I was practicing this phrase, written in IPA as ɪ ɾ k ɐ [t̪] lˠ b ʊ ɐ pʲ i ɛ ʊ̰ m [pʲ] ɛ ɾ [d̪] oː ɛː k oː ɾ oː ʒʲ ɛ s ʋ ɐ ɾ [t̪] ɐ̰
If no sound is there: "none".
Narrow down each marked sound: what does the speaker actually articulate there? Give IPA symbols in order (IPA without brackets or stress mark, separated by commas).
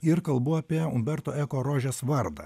none, bʲ, t̪, d̪